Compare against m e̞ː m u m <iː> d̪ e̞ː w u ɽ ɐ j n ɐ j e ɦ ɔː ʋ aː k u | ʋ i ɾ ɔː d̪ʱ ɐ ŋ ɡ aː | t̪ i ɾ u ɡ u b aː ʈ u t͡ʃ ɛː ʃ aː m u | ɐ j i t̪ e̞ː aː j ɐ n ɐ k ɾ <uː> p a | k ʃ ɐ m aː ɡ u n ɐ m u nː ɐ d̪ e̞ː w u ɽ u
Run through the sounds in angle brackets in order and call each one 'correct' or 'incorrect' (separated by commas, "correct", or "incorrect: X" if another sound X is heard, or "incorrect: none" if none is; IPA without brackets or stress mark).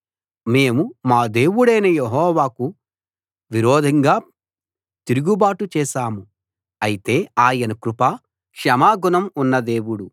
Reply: incorrect: aː, incorrect: u